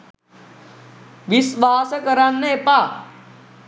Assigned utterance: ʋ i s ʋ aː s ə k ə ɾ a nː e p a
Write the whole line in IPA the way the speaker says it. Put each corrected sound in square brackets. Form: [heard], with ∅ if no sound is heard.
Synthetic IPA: ʋ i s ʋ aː s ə k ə ɾ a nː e p a